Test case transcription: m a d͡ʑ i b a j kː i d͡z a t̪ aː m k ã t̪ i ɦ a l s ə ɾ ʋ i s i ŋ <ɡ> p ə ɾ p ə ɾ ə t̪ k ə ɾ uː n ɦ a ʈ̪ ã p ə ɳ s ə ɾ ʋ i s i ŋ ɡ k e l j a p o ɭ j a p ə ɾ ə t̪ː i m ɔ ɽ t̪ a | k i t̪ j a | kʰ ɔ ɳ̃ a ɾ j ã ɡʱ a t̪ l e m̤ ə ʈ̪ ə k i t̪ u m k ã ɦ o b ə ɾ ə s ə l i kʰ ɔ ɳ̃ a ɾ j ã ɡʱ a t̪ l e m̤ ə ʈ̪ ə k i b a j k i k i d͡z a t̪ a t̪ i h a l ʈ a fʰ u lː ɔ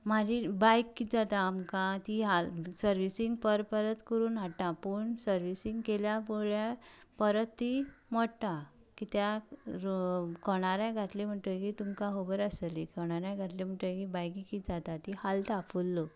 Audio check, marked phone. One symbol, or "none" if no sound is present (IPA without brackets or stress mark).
ɡ